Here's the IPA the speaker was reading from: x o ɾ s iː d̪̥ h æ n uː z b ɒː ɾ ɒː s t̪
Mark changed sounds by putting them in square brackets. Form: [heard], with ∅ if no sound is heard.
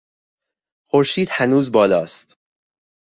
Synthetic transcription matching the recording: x o ɾ [ʃ] iː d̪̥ h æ n uː z b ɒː [l] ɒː s t̪